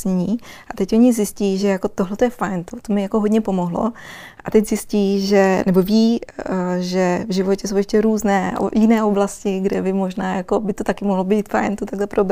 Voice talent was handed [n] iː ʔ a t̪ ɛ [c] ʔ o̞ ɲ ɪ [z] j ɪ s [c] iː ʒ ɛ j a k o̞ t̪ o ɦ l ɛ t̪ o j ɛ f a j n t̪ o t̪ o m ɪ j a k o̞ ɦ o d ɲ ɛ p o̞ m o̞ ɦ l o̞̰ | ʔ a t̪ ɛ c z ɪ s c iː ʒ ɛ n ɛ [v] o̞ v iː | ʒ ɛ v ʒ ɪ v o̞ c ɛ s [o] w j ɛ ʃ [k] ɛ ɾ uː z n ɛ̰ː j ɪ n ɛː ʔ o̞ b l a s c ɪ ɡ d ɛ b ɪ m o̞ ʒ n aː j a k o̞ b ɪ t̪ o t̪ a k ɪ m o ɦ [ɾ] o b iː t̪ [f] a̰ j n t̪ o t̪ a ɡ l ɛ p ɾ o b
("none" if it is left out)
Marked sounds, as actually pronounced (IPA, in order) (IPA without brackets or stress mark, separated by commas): ɲ, c, z, c, b, o, c, l, f